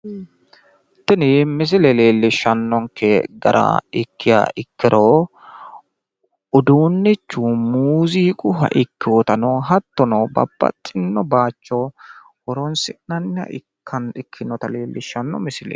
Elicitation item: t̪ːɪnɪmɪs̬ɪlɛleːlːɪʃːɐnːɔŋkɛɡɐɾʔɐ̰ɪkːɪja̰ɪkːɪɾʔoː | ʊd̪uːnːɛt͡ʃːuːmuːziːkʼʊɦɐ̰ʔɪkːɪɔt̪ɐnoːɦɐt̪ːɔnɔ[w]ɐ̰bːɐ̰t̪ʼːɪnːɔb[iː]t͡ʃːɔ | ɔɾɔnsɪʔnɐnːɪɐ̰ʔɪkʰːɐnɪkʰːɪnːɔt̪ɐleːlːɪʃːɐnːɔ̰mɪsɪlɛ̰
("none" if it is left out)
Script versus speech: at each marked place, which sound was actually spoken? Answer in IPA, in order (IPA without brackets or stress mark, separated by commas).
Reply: b, aː